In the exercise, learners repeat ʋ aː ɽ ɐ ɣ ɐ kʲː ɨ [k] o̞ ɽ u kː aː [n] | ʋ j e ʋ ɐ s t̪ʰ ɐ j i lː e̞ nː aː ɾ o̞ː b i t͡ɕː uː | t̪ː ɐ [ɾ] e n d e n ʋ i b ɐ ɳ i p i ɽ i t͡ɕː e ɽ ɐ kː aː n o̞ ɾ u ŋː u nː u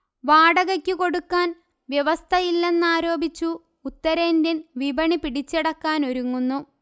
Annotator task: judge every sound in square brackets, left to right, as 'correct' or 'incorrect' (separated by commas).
correct, correct, correct